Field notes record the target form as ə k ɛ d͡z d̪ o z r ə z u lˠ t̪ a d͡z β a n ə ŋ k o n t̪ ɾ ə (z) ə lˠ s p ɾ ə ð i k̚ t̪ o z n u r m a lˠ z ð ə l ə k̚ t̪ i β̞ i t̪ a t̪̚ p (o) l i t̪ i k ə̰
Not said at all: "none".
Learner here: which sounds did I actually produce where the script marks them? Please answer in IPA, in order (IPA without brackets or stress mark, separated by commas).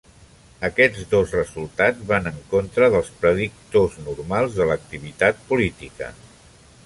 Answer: ð, u